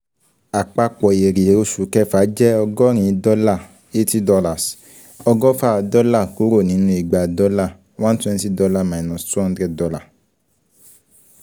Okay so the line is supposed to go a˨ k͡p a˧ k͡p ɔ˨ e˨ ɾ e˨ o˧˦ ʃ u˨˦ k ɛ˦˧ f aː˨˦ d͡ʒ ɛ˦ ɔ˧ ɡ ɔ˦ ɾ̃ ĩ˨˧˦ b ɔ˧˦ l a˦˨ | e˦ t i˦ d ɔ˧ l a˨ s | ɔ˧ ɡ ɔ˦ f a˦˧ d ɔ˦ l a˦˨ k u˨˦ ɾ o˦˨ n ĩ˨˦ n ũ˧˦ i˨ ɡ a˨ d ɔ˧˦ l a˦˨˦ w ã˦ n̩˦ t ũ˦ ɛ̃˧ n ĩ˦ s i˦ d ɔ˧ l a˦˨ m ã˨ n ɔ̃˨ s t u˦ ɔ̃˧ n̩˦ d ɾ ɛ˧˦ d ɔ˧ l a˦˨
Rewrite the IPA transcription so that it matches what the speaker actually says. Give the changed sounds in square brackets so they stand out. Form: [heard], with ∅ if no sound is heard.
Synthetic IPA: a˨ k͡p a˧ k͡p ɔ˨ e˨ ɾ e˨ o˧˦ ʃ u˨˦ k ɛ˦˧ f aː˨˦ d͡ʒ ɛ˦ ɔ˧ ɡ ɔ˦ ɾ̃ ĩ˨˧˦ [d] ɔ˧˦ l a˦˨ | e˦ t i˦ d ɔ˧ l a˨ s | ɔ˧ ɡ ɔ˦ f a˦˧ d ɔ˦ l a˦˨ k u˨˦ ɾ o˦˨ n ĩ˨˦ n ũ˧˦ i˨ [ɡ͡b] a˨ d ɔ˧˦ l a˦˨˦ w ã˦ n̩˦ t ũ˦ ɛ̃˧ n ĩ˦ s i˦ d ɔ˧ l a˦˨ m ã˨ n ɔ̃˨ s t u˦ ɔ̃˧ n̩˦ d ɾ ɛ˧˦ d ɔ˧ l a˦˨